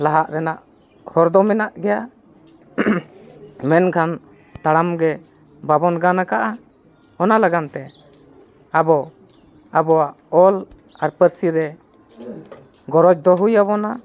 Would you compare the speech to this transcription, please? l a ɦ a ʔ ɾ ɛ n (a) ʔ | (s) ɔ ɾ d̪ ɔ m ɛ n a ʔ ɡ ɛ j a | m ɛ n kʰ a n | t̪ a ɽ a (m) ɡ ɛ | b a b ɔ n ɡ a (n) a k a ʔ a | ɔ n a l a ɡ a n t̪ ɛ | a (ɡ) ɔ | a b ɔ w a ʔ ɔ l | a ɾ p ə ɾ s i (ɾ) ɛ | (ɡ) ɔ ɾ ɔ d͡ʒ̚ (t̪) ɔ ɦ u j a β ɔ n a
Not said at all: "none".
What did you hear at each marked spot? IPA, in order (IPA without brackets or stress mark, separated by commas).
a, h, m, n, b, ɾ, ɡ, d̪